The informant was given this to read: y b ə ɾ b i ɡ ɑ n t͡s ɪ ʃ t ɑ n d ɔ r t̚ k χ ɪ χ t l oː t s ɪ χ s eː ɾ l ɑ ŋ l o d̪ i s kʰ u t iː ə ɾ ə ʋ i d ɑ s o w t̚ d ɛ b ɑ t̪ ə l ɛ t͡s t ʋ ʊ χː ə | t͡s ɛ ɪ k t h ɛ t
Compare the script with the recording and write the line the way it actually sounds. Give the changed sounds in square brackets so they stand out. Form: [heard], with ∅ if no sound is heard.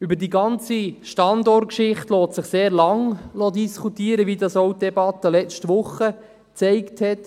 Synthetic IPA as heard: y b ə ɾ [d] i ɡ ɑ n t͡s [i] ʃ t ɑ n d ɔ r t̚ k [ʃ] ɪ χ t l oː t s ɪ χ s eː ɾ l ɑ ŋ l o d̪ i s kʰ u t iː ə ɾ ə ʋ i d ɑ s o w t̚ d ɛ b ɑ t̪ ə l ɛ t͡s t ʋ ʊ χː ə | t͡s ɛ ɪ k t h ɛ t